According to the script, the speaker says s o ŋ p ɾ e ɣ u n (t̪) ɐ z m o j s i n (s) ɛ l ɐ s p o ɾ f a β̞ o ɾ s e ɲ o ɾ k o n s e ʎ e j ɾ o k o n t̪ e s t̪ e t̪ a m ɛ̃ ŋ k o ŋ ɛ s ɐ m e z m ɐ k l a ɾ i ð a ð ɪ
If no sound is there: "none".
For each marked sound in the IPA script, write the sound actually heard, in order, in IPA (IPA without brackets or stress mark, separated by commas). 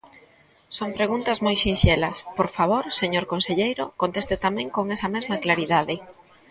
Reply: t̪, ʃ